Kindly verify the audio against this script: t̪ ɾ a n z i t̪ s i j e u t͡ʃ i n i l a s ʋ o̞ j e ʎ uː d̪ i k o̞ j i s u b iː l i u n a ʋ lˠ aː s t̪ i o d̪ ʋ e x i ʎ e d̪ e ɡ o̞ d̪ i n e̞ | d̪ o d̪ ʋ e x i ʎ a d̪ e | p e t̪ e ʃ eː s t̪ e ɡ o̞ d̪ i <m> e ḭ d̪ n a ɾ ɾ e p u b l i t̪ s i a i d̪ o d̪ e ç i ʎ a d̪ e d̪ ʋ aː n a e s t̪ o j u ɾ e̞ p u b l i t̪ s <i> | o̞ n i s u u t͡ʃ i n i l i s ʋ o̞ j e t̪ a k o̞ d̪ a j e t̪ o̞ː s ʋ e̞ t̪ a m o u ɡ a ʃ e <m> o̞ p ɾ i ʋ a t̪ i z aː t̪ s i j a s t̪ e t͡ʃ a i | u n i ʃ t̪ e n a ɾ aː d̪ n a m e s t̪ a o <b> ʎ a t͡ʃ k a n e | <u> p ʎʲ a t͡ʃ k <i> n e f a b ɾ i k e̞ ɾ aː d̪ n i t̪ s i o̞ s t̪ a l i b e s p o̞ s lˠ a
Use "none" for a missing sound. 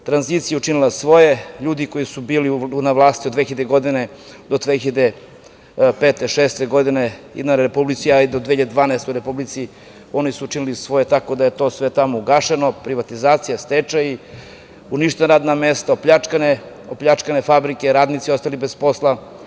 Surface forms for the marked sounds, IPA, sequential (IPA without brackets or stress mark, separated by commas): n, i, n, p, o, a